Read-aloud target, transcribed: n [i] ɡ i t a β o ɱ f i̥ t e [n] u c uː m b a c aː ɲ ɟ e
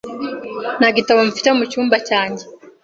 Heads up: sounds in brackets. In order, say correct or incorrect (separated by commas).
incorrect, incorrect